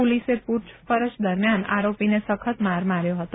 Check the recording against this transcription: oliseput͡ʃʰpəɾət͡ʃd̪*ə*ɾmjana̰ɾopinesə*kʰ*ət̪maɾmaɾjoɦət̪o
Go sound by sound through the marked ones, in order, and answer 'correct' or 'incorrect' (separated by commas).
correct, correct